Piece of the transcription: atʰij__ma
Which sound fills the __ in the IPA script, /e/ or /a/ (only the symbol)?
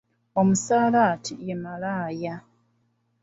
e